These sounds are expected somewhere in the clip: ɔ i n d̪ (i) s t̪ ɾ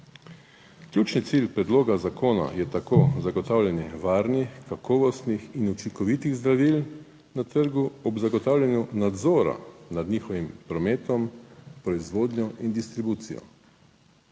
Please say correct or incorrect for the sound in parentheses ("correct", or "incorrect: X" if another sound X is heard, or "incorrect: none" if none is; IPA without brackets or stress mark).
correct